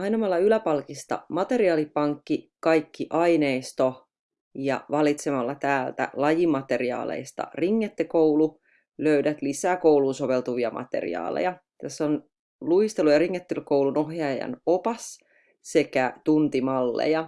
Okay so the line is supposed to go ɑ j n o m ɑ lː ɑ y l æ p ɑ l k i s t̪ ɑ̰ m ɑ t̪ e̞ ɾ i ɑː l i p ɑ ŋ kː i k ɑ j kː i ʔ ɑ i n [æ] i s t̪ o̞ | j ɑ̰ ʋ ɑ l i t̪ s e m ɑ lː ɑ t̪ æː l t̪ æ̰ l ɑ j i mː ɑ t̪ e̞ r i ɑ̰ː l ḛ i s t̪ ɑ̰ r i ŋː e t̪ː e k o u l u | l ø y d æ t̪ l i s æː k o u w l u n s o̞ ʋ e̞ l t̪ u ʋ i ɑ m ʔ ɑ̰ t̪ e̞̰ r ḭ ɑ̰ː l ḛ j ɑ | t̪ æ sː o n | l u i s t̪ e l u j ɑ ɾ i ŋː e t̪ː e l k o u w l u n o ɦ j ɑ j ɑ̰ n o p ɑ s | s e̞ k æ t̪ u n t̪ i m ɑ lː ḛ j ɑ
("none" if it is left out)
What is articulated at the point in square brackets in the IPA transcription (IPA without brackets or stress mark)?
e